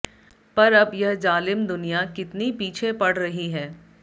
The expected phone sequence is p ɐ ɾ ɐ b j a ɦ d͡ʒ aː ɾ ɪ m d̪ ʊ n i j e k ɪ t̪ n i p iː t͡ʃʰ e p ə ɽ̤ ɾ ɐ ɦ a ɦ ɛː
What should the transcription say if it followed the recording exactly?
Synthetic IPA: p ɐ ɾ ɐ b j ɐ ɦ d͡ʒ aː l ɪ m d̪ ʊ n i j a k ɪ t̪ n i p iː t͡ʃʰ e p ɐ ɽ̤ ɾ ɐ ɦ i ɦ ɛː